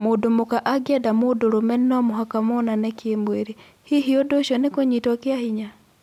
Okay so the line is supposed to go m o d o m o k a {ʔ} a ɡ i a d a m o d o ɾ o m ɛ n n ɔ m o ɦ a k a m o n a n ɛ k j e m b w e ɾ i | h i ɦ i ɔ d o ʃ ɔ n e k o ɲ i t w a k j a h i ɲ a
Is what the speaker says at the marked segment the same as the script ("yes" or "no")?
yes